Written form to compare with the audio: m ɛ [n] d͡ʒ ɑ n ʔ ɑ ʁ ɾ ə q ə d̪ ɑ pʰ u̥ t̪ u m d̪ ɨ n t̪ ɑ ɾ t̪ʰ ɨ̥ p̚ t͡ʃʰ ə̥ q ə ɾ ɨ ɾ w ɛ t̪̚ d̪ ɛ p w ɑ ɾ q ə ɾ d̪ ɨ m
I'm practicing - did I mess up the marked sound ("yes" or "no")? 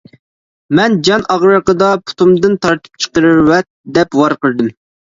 no